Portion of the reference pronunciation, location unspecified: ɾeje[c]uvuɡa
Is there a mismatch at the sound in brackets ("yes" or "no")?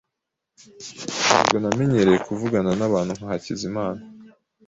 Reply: yes